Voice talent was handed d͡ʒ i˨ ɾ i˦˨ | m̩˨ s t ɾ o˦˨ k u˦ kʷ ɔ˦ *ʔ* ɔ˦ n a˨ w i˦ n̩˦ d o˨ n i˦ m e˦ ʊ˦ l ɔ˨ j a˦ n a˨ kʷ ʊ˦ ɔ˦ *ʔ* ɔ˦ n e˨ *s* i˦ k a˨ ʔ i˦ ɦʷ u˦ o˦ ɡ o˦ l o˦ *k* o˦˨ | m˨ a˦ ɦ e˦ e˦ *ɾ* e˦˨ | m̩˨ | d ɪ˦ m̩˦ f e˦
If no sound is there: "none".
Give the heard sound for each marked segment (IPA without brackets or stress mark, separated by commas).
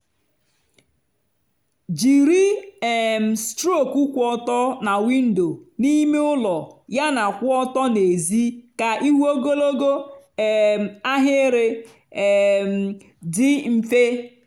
t, t, z, ɡ, ɾ